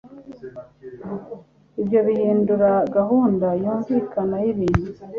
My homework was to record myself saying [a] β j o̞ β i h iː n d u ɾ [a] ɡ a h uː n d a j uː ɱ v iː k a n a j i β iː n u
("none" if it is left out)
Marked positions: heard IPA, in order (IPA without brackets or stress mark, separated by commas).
i, a